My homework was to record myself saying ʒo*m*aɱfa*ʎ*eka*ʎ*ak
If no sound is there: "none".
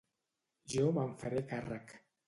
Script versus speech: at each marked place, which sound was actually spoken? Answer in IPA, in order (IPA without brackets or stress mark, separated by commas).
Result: m, ɾ, r